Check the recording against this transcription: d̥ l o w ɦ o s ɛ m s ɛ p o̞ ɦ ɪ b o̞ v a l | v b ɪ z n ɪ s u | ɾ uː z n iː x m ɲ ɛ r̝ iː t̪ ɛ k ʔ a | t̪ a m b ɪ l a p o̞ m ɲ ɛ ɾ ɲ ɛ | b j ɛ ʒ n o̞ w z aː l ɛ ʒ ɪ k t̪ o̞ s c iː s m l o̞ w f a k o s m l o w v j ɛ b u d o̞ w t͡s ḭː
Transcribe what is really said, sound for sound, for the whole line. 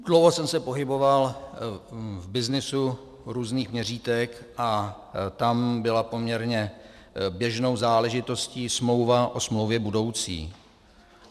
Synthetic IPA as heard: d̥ l o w ɦ o s ɛ m s ɛ p o̞ ɦ ɪ b o̞ v a l | v b ɪ z n ɪ s u | ɾ uː z n iː x m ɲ ɛ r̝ iː t̪ ɛ k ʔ a | t̪ a m b ɪ l a p o̞ m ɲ ɛ ɾ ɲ ɛ | b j ɛ ʒ n o̞ w z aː l ɛ ʒ ɪ t̪ o̞ s c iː s m l o̞ w v a ʔ o s m l o w v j ɛ b u d o̞ w t͡s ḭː

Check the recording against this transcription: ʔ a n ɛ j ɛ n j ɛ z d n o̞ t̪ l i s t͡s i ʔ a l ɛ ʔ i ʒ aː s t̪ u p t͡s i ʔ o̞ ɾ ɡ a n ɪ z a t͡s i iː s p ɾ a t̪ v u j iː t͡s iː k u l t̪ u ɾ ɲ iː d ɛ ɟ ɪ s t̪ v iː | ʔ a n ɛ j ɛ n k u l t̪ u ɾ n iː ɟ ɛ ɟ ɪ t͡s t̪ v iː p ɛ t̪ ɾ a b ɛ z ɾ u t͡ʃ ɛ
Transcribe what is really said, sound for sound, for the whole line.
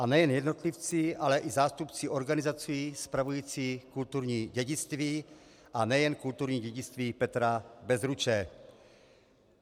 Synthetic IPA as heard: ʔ a n ɛ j ɛ n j ɛ d n o̞ t̪ l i f t͡s i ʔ a l ɛ ʔ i z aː s t̪ u p t͡s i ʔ o̞ ɾ ɡ a n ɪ z a t͡s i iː s p ɾ a v u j iː t͡s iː k u l t̪ u ɾ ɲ iː ɟ ɛ ɟ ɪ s t̪ v iː | ʔ a n ɛ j ɛ n k u l t̪ u ɾ ɲ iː ɟ ɛ ɟ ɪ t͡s t̪ v iː p ɛ t̪ ɾ a b ɛ z ɾ u t͡ʃ ɛ

